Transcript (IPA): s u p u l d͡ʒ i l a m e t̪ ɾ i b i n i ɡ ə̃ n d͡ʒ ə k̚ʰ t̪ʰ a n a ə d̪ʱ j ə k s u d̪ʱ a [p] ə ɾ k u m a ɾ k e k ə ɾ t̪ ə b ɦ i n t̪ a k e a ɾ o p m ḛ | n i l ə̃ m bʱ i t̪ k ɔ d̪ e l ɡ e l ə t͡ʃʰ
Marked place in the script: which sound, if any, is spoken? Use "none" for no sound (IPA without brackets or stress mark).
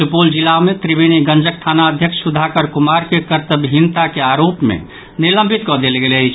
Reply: k